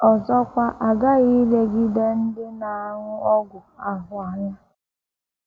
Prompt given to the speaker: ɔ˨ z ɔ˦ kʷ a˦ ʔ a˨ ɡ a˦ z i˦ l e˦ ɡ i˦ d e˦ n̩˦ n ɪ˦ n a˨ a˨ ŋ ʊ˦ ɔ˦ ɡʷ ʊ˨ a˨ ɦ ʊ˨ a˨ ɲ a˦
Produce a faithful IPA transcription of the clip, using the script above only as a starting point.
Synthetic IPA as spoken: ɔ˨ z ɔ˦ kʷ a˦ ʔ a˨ ɡ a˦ ɣ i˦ l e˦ ɡ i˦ d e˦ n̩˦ d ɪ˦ n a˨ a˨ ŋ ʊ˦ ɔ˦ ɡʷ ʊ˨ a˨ ɦ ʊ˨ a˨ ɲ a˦